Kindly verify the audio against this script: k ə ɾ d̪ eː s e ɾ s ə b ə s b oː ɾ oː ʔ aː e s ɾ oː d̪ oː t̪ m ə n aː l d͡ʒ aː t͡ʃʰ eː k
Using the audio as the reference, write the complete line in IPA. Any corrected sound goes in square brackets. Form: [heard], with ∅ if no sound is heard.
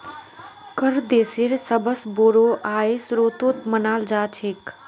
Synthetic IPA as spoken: k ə ɾ d̪ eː s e ɾ s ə b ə s b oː ɾ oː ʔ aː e s ɾ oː [t̪] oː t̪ m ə n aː l d͡ʒ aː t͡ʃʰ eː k